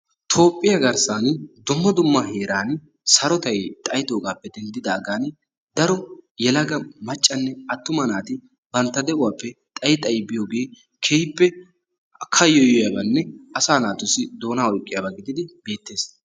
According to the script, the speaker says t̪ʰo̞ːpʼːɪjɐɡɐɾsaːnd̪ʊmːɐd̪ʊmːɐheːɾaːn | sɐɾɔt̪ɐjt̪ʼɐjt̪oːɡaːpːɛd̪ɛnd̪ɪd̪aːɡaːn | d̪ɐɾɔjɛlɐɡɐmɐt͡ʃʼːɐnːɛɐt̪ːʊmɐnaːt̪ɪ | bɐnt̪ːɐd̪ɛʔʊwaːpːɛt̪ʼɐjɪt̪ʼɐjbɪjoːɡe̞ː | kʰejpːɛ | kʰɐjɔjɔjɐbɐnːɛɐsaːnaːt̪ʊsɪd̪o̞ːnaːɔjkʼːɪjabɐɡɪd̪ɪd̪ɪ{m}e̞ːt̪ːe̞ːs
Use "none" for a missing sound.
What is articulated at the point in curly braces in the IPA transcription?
b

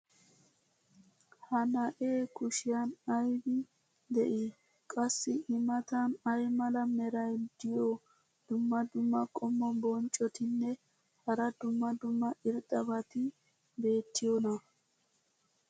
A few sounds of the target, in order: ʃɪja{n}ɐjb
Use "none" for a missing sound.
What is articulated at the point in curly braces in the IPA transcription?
n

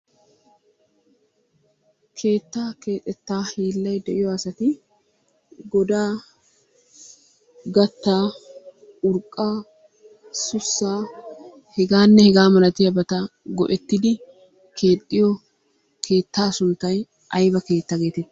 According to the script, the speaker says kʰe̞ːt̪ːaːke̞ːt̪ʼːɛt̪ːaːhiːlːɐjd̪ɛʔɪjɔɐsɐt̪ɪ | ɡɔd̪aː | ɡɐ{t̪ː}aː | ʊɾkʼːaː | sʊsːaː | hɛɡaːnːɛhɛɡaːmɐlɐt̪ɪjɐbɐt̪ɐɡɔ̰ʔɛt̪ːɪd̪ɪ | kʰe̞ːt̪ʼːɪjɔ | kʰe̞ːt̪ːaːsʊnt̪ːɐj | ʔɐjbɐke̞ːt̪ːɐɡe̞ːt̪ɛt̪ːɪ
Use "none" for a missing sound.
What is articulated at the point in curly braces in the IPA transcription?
t̪ː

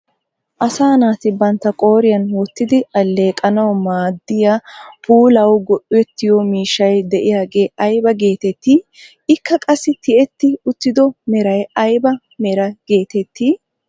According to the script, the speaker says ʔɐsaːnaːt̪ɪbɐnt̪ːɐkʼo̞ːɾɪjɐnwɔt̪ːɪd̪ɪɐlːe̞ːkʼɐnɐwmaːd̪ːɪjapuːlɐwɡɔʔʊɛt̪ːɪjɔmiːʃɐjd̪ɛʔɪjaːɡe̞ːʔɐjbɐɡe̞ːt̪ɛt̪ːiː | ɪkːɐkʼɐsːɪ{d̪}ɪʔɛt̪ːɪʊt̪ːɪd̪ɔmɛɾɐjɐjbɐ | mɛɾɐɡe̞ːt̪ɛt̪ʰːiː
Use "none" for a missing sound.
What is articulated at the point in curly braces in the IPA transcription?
t̪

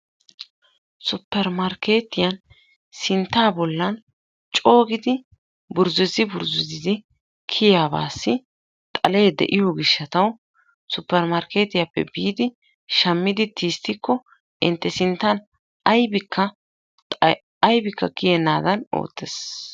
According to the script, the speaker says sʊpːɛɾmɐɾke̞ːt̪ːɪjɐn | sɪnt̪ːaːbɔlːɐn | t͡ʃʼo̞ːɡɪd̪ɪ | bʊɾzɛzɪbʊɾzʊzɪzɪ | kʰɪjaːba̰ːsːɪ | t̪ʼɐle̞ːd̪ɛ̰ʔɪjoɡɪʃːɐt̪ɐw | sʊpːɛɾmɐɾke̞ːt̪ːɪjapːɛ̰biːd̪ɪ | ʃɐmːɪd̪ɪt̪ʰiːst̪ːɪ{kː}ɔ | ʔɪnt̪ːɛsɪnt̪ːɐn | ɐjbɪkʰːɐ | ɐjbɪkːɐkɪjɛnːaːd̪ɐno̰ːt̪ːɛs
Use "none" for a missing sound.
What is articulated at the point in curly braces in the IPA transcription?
kː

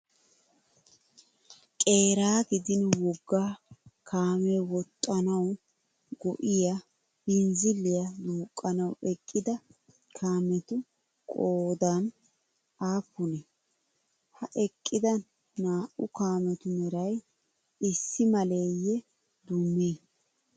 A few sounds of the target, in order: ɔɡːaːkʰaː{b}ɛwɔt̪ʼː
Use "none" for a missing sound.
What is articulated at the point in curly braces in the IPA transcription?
m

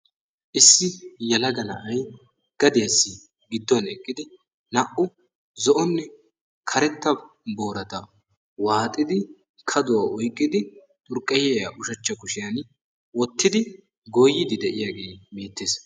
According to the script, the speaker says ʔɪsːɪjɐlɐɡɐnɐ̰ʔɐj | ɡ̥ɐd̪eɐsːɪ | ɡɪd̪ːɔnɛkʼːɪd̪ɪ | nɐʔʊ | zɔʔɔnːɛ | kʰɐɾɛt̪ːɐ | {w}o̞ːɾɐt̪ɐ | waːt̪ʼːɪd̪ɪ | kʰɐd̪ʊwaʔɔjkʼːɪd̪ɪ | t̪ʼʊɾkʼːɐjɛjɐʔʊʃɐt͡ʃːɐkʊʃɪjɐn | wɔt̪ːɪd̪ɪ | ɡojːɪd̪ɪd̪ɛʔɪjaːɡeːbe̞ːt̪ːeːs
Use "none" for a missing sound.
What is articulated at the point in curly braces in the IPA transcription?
b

